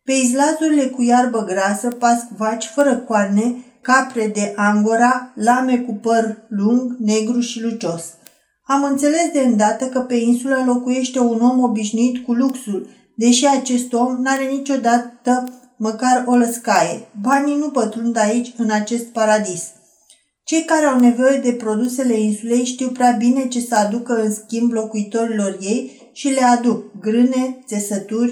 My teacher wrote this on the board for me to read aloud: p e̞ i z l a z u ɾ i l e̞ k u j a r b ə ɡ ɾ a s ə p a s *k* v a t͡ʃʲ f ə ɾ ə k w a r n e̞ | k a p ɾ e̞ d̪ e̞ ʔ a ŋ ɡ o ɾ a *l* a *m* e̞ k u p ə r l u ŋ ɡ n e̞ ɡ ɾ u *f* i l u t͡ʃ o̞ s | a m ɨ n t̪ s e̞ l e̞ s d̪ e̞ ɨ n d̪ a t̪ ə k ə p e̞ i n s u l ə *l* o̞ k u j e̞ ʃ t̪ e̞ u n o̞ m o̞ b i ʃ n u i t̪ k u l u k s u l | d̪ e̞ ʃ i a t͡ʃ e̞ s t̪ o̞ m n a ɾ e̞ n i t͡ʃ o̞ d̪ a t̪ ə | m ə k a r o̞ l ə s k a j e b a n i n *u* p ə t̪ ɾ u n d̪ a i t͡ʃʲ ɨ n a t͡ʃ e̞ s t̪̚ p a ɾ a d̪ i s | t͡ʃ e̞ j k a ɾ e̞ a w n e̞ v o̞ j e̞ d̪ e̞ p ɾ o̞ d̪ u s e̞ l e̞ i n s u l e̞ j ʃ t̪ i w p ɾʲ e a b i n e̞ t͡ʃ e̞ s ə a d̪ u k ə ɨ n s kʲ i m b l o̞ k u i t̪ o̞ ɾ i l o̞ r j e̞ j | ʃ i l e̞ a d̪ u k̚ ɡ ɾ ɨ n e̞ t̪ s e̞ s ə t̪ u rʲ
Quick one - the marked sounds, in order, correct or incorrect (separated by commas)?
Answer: correct, correct, correct, incorrect, correct, correct